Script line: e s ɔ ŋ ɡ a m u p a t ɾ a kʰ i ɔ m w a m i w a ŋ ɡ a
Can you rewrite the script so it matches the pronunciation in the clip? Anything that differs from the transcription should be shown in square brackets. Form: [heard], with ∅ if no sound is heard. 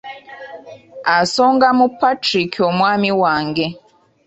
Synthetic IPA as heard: [a] s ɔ ŋ ɡ a m u p a t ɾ [i] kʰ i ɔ m w a m i w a ŋ ɡ [ɛ]